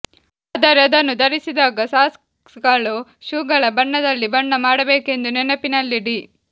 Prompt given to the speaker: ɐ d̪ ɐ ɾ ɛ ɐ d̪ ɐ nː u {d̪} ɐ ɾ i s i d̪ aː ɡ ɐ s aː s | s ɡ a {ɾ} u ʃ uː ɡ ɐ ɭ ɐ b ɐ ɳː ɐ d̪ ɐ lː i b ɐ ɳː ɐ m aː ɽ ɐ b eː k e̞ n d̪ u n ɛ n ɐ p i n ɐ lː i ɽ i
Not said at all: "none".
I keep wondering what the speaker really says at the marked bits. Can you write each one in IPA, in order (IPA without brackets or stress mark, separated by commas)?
d̪, ɭ